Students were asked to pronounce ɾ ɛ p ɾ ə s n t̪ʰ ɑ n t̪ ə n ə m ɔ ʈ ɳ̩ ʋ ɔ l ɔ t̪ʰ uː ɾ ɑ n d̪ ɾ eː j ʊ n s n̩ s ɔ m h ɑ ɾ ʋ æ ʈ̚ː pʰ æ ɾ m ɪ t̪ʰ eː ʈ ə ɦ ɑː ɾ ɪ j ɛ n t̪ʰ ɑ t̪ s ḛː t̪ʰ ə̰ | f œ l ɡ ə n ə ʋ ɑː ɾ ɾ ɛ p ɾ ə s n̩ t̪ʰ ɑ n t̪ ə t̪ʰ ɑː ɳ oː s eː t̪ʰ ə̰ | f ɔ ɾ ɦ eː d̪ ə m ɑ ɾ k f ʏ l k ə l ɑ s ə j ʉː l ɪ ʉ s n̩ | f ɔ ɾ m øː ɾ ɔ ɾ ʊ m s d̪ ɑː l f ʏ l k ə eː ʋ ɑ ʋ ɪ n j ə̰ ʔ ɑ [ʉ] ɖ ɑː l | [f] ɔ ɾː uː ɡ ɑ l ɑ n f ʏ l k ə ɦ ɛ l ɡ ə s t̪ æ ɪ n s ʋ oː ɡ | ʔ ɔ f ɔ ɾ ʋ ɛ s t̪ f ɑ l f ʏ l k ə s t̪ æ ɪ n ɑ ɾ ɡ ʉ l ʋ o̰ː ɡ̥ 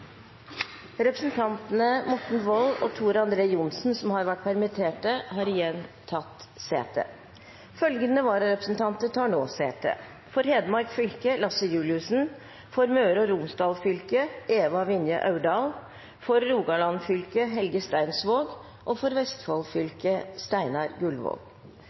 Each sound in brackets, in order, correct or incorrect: correct, correct

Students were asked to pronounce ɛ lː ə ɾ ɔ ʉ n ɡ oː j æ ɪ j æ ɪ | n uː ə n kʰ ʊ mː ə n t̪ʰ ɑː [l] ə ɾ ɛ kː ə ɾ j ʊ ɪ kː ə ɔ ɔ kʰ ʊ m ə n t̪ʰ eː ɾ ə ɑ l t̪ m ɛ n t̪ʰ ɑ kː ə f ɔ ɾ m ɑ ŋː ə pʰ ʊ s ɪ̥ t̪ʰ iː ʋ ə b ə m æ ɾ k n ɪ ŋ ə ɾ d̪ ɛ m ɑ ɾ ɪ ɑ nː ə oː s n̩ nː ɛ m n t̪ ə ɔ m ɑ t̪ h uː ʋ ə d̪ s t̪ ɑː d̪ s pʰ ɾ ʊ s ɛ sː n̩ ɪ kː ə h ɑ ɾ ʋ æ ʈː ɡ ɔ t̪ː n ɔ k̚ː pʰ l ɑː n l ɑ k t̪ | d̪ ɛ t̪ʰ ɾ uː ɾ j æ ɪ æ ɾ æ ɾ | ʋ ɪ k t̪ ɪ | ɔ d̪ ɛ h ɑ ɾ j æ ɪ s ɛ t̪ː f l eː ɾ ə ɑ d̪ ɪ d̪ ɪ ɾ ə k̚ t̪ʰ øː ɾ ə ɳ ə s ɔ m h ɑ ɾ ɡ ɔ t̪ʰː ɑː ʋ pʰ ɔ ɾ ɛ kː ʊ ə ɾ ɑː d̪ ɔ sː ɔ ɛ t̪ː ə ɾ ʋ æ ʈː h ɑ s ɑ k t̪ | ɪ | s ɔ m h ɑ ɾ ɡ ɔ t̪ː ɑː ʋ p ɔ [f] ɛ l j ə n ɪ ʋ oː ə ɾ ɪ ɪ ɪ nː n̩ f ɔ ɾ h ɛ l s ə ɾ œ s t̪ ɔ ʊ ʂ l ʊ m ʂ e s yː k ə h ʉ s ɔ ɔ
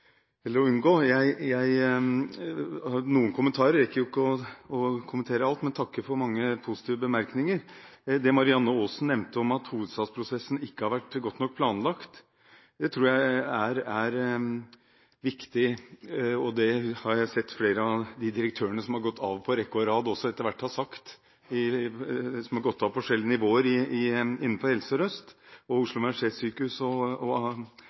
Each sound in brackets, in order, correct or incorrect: incorrect: ɾ, incorrect: ʂ

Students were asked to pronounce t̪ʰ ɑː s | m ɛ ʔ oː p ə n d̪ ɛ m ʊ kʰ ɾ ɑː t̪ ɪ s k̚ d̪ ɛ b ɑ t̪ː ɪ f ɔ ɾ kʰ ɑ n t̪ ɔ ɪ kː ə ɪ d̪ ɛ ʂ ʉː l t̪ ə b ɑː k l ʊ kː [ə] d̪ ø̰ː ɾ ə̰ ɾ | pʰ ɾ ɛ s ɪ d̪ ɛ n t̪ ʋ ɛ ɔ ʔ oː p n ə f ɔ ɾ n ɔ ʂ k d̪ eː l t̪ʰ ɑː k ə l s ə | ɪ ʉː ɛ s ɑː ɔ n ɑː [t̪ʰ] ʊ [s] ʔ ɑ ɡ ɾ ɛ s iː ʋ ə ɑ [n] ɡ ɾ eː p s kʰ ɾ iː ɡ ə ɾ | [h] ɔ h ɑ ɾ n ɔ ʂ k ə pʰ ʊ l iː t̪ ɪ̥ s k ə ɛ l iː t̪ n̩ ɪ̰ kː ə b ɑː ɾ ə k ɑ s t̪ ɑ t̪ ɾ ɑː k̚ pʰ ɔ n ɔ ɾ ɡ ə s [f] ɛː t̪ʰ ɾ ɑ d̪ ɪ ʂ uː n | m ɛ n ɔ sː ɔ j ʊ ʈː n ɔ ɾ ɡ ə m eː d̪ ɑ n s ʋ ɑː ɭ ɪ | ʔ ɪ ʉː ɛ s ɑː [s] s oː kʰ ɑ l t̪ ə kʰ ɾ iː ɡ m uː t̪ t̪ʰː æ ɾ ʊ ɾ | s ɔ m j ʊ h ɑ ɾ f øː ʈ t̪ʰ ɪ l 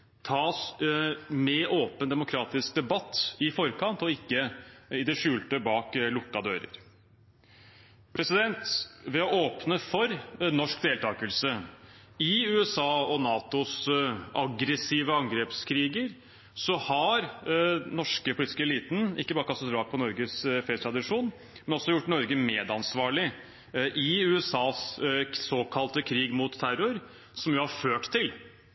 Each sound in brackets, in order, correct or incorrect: incorrect: ɑ, incorrect: t̪, correct, incorrect: ŋ, incorrect: s, correct, correct

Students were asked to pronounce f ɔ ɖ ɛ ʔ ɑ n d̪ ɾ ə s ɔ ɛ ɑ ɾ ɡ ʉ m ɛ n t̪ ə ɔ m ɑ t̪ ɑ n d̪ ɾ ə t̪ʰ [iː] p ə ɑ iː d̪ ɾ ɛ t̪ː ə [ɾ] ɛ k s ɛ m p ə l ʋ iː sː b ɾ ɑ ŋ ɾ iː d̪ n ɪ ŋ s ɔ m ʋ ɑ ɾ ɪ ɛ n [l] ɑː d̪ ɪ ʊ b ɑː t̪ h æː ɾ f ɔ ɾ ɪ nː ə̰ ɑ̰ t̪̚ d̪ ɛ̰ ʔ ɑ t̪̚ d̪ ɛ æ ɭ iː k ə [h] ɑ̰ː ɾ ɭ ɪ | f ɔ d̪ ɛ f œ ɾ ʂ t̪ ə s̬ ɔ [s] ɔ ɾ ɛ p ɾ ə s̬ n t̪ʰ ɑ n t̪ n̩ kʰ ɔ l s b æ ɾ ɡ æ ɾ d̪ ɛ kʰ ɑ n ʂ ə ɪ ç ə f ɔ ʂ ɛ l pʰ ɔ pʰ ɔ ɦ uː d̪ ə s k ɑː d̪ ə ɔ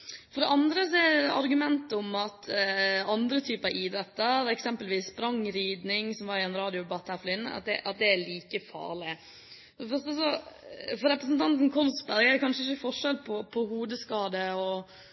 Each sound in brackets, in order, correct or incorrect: incorrect: yː, correct, incorrect: ɾ, incorrect: f, incorrect: f

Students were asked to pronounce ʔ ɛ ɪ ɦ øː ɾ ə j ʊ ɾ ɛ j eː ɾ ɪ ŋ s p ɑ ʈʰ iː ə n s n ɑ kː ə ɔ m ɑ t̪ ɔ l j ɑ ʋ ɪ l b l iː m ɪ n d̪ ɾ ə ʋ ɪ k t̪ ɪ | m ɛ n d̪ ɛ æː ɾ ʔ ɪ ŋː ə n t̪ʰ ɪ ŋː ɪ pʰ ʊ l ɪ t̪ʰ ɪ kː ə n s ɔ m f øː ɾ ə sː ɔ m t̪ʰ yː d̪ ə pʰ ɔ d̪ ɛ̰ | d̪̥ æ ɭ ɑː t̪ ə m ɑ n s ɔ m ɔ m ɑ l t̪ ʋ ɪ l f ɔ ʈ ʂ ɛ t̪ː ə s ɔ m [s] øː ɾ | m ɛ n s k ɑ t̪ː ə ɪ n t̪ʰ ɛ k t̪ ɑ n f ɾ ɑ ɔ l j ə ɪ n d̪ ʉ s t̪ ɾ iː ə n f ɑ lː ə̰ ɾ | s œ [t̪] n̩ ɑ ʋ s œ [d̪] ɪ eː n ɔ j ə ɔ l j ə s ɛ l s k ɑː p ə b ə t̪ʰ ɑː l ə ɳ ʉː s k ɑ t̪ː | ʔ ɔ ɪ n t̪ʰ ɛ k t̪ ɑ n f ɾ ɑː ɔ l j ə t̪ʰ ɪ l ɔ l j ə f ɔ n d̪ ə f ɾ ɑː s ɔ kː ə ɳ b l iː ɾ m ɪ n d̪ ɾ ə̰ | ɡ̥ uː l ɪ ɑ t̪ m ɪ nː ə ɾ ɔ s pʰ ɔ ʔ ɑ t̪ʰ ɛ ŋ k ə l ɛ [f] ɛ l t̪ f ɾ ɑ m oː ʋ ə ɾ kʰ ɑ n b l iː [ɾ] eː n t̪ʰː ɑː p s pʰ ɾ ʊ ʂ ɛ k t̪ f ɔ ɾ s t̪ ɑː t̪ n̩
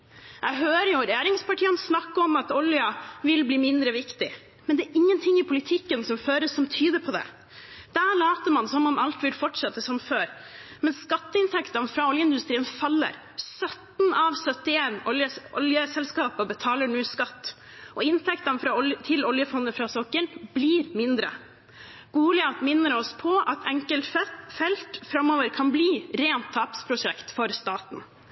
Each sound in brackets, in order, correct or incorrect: incorrect: f, correct, incorrect: t̪, correct, correct

